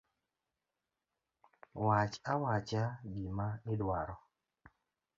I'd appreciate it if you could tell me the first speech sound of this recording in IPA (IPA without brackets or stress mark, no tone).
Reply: w